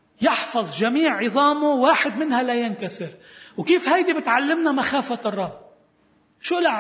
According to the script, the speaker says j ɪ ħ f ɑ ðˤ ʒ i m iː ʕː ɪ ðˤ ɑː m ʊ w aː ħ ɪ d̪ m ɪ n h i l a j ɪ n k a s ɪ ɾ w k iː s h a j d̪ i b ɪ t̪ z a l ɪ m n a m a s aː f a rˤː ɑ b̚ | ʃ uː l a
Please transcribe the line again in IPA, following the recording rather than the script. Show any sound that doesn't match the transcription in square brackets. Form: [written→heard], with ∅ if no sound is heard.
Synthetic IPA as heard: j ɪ ħ f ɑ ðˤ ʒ [i→a] m iː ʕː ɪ ðˤ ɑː m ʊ w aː ħ ɪ d̪ m ɪ n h [i→a] l a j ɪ n k a s ɪ ɾ w k iː [s→f] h a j d̪ i b ɪ t̪ [z→ʕ] a [l→lː] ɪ m n a m a [s→x] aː f a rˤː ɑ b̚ | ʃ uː l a